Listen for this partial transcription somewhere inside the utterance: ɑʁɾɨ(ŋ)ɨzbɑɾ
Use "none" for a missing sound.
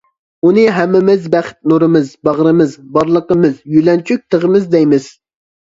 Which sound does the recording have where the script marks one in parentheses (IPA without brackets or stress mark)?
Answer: m